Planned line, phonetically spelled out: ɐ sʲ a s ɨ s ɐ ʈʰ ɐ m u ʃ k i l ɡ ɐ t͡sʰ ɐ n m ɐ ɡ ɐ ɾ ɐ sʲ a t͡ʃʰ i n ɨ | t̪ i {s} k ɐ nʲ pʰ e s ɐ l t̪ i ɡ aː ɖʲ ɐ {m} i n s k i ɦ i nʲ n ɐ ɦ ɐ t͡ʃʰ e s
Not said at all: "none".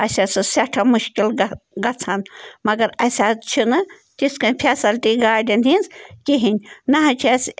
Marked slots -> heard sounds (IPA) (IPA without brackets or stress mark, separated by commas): s, n